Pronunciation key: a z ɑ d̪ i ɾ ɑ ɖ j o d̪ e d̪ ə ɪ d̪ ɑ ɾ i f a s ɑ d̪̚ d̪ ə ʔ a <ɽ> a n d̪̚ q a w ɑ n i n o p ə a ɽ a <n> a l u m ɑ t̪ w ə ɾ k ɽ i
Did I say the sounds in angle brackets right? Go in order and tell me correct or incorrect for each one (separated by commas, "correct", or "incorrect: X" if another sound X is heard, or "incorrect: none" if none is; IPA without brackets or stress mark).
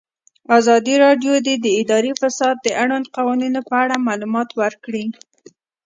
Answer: correct, incorrect: m